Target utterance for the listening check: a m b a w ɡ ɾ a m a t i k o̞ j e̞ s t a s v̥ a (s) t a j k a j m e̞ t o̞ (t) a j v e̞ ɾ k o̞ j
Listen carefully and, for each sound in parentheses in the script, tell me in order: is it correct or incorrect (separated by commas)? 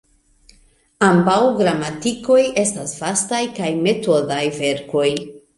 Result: correct, incorrect